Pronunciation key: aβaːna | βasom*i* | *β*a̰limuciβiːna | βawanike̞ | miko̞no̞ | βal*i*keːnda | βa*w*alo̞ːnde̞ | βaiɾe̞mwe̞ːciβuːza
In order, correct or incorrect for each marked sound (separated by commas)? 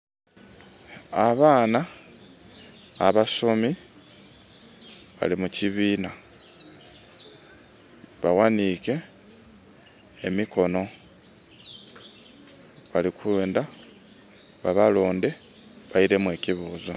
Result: correct, correct, correct, incorrect